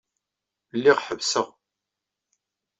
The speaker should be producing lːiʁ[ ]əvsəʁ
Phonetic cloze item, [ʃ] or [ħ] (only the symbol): ħ